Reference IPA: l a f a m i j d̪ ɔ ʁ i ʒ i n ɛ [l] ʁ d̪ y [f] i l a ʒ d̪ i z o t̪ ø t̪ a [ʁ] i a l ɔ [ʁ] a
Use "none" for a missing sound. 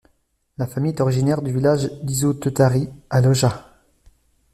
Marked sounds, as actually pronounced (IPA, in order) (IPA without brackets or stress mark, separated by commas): none, v, ʁ, ʒ